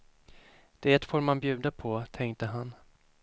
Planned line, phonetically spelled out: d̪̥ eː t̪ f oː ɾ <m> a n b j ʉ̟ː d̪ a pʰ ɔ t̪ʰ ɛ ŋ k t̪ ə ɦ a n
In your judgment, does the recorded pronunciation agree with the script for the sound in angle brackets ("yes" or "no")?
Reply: yes